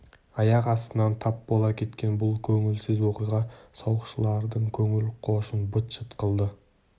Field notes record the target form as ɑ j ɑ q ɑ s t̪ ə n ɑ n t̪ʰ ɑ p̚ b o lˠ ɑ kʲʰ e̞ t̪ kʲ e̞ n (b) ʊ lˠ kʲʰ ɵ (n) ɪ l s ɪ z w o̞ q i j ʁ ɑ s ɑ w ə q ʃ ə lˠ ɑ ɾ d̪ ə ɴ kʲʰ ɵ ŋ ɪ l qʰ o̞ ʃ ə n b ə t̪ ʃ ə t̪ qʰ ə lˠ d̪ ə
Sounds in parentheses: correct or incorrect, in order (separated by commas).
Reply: correct, incorrect